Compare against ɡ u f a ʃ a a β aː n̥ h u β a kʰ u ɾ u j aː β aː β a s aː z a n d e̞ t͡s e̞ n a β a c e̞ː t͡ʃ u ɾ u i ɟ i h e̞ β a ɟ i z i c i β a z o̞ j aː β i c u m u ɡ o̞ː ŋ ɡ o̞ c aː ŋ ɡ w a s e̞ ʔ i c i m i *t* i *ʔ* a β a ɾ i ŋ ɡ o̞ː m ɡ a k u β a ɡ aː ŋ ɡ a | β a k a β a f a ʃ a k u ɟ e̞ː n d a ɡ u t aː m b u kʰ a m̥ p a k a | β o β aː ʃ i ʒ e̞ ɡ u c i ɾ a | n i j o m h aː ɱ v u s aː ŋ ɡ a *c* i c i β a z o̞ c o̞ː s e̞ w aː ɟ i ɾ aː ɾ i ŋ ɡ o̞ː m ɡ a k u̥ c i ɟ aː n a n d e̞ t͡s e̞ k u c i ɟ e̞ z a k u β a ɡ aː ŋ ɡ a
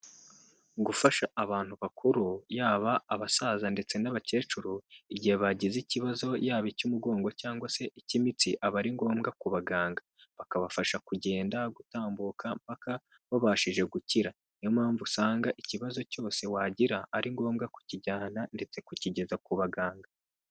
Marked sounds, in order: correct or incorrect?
incorrect, correct, incorrect

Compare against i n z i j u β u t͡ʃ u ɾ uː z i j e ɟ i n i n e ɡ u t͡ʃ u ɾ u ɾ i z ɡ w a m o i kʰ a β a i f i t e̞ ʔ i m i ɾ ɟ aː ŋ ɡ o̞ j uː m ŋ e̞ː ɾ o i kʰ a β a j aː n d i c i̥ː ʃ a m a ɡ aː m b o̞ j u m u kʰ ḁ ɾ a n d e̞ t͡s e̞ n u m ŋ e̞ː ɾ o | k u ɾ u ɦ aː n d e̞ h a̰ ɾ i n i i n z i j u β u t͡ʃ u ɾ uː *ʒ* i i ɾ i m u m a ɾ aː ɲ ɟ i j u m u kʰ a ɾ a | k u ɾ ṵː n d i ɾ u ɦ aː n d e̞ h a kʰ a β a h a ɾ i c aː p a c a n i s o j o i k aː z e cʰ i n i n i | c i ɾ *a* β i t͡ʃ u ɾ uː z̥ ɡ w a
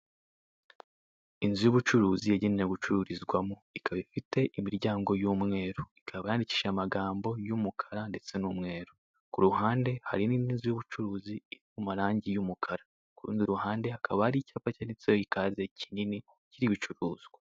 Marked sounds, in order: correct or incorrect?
incorrect, incorrect

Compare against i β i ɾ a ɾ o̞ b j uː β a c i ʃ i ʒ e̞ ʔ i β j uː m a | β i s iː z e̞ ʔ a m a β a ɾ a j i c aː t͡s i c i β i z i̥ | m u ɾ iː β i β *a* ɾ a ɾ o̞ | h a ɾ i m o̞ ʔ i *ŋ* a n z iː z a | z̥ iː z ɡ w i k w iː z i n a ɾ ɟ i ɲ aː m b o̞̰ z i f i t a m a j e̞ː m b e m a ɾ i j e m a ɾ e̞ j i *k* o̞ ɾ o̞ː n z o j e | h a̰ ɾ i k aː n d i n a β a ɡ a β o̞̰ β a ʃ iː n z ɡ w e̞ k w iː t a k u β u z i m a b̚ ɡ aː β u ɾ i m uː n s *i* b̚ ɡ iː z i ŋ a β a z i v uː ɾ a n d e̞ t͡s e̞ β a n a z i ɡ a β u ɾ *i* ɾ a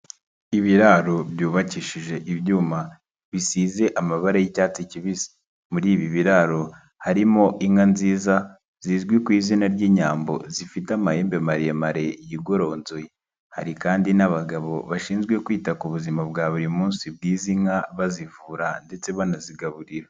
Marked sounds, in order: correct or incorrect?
incorrect, correct, incorrect, correct, correct

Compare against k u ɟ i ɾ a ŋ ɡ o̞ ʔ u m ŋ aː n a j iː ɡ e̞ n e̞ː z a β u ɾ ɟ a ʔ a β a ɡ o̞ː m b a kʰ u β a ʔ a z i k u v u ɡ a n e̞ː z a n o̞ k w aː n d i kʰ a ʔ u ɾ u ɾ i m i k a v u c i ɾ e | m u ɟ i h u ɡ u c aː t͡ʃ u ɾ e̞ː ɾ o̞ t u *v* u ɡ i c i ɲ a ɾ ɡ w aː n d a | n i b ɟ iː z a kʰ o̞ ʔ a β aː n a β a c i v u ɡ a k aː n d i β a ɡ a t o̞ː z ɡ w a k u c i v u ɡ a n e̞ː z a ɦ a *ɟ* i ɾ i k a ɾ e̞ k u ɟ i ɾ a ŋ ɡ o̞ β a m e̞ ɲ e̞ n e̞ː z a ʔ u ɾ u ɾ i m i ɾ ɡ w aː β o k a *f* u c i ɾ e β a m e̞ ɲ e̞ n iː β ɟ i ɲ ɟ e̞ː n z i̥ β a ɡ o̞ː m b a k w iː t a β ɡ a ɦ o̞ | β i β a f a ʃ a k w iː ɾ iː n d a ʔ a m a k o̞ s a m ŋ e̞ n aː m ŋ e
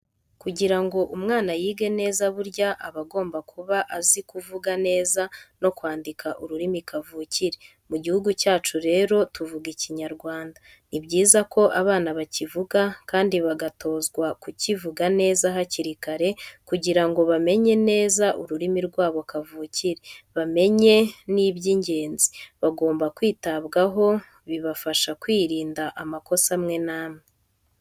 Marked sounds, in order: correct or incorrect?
correct, incorrect, incorrect

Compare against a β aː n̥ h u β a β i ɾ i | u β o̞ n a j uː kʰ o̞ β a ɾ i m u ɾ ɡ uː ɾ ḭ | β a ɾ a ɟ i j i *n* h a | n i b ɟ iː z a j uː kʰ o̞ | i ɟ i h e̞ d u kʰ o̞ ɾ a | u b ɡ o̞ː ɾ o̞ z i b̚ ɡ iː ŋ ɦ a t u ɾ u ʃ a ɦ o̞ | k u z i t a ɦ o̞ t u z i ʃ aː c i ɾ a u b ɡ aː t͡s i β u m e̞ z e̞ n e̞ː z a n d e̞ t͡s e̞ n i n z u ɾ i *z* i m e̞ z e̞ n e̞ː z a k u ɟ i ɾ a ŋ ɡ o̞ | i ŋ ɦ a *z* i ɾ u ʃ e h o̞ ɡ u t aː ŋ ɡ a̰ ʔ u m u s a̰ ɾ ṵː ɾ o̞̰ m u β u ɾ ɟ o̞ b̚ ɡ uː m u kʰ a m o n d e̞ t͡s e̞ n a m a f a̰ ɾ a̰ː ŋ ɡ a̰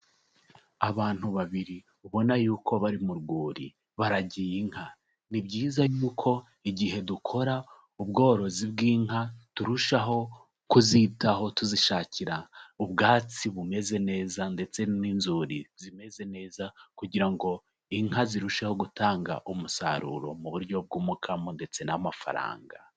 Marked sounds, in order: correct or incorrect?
incorrect, correct, correct

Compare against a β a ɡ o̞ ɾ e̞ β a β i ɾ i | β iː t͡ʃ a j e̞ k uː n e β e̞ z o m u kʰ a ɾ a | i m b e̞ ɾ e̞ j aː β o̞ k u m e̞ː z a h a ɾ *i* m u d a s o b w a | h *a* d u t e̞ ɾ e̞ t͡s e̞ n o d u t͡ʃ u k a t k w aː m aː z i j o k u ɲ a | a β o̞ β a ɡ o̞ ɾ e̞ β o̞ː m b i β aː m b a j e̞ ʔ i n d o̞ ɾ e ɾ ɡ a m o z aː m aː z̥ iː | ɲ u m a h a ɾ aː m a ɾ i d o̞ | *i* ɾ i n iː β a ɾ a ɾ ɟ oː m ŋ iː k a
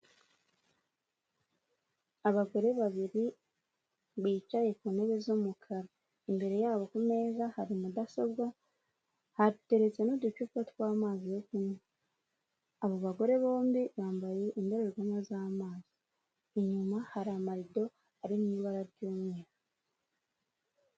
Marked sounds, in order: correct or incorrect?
correct, correct, incorrect

